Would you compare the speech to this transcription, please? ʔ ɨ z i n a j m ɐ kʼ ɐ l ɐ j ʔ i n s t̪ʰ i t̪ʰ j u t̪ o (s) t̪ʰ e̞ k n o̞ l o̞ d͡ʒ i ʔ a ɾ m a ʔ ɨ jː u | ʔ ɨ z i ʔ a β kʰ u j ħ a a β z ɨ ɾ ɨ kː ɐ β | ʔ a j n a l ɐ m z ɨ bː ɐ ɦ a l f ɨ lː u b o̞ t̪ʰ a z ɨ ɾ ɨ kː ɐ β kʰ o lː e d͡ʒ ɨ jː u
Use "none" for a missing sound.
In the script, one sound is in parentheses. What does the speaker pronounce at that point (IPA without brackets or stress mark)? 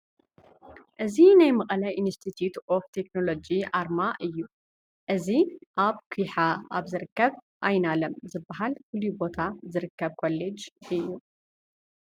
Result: f